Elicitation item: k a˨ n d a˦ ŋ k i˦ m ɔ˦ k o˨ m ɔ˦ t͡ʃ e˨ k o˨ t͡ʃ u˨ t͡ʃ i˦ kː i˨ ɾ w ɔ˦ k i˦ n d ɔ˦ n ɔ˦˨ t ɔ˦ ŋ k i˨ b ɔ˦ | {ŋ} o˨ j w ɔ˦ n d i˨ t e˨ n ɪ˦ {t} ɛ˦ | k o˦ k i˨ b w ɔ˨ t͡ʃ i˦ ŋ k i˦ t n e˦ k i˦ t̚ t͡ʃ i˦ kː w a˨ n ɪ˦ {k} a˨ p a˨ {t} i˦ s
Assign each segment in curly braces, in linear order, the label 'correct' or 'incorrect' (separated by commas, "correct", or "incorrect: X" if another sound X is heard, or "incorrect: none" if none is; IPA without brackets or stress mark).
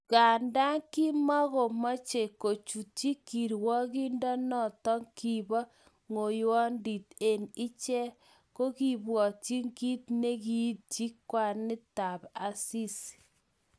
correct, incorrect: t͡ʃ, incorrect: t, incorrect: s